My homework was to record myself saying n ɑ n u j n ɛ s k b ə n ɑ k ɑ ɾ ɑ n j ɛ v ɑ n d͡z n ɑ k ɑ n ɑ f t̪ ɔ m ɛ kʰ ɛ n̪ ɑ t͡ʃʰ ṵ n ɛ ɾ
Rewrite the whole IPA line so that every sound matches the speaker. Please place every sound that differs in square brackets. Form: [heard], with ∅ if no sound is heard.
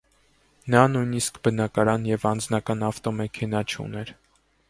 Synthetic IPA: n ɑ n u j n [i] s k b ə n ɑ k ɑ ɾ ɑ n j ɛ v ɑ n d͡z n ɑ k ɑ n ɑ f t̪ ɔ m ɛ kʰ ɛ n̪ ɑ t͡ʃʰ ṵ n ɛ ɾ